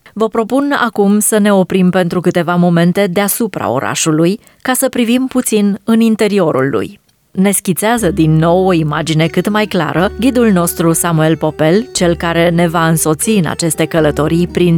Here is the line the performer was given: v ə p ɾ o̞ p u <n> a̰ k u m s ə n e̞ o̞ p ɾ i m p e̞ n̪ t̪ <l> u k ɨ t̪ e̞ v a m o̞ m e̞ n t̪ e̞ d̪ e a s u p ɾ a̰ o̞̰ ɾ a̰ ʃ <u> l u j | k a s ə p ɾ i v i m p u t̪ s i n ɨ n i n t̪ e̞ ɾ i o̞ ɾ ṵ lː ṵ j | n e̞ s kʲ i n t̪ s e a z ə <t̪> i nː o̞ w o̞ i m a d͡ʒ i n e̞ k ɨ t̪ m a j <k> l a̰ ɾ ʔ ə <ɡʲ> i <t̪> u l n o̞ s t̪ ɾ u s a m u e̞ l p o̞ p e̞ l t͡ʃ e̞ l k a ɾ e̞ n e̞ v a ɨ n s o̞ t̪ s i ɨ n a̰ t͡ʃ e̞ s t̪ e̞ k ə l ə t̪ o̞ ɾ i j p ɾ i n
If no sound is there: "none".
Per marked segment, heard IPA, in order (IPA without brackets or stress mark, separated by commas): n, ɾ, u, d̪, k, ɡʲ, d̪